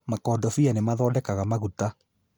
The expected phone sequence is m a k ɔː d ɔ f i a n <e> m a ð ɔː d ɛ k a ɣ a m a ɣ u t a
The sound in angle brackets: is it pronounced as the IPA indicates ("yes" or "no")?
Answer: yes